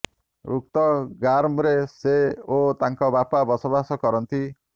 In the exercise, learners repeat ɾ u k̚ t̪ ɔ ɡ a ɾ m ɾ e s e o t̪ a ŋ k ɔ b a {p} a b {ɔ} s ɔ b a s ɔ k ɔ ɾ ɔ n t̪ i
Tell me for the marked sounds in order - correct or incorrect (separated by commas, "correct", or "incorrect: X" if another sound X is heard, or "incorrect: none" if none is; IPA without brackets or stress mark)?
correct, correct